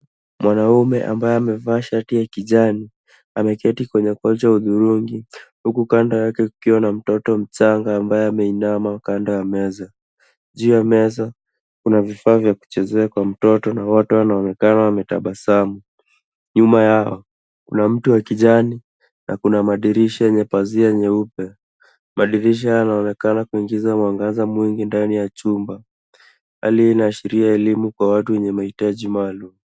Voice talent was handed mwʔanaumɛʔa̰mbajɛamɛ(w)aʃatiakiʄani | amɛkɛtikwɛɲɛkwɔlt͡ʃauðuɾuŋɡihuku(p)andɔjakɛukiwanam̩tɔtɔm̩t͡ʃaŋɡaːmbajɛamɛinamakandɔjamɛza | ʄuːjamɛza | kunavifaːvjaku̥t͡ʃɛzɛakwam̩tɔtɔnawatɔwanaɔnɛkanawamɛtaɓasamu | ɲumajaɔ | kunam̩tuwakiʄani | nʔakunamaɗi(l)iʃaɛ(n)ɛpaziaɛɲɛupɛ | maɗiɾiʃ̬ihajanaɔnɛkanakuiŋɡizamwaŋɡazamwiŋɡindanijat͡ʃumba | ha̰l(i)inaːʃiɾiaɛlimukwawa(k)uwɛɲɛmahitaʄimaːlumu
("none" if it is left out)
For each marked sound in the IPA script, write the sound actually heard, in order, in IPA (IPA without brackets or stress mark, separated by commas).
v, k, ɾ, ɲ, i, t